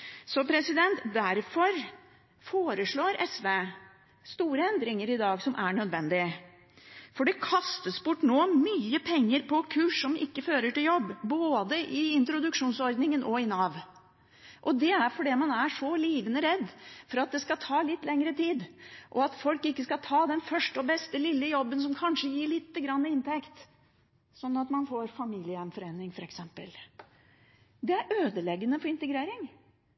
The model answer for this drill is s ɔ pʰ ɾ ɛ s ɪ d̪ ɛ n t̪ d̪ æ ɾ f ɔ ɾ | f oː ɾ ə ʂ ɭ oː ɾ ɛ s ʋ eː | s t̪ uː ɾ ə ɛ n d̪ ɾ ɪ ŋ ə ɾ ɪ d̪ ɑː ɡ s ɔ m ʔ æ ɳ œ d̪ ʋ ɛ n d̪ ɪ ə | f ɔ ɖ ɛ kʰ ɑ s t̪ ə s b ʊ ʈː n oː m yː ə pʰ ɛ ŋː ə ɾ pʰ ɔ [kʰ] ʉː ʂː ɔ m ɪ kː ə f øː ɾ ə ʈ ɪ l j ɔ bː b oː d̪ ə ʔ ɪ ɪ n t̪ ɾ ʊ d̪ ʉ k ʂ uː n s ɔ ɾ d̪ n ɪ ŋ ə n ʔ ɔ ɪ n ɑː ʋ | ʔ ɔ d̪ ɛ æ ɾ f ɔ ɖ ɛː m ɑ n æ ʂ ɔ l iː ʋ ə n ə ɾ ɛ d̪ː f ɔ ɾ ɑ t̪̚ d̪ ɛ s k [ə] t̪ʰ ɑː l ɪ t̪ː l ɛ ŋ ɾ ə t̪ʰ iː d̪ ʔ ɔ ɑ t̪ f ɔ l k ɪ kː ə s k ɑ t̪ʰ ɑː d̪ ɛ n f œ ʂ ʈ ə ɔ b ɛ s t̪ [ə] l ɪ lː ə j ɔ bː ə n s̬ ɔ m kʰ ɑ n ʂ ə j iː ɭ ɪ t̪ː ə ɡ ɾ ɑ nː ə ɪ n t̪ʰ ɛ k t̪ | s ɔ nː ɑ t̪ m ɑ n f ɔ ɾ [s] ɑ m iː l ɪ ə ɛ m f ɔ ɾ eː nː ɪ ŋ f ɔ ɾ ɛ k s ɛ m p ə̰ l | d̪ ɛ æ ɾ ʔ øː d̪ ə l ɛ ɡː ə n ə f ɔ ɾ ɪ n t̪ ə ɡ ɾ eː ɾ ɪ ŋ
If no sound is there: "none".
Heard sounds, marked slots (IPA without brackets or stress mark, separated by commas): kʰ, ɑ, ə, f